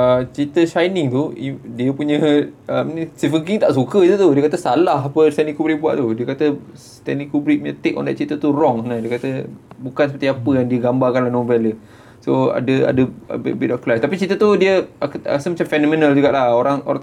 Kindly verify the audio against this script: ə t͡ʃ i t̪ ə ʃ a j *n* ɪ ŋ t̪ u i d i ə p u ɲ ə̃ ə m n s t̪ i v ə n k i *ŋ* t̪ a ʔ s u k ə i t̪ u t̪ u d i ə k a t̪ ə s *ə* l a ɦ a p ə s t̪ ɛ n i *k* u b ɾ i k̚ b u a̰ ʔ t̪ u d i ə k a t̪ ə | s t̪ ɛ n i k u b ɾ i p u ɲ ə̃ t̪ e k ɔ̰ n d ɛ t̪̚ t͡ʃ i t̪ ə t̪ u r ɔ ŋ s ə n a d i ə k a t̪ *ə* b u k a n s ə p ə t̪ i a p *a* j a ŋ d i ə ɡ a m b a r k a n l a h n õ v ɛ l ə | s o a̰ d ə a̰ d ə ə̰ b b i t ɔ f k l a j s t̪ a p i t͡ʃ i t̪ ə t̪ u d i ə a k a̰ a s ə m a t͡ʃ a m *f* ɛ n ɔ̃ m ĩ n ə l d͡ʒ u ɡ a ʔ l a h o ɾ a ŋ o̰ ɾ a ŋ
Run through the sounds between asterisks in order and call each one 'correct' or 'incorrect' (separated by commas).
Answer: correct, correct, incorrect, correct, correct, incorrect, correct